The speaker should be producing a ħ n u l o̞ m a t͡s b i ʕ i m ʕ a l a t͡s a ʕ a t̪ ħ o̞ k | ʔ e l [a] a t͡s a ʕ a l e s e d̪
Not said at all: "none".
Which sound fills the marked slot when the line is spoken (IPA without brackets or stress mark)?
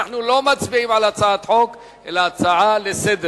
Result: a